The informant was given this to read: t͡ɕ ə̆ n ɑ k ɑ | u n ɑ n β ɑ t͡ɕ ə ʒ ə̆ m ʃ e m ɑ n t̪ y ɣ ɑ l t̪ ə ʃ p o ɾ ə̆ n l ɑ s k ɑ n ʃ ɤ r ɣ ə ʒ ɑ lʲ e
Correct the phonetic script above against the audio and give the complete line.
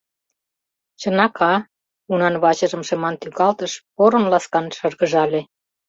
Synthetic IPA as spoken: t͡ɕ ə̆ n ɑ k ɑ | u n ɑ n β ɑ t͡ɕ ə ʒ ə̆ m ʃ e m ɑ n t̪ y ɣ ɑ l t̪ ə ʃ p o ɾ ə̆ n l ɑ s k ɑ n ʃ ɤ r ɣ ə ʒ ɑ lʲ e